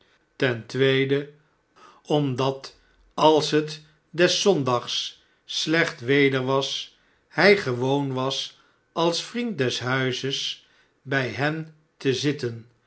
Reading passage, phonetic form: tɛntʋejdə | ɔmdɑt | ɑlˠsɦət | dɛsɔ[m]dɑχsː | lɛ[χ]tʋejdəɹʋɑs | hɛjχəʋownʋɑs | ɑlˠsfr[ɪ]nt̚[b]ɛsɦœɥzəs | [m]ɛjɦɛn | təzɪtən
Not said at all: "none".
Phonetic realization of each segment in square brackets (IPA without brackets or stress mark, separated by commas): n, χ, i, d, b